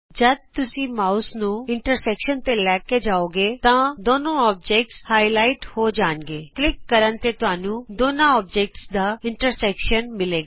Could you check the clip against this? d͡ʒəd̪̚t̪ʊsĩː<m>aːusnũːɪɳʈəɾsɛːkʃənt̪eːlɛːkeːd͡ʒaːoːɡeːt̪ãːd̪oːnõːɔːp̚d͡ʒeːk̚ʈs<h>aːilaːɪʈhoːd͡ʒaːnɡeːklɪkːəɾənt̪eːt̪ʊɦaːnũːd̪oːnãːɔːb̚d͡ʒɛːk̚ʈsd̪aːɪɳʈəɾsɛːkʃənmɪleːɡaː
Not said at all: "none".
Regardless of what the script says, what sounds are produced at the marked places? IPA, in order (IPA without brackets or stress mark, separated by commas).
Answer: m, h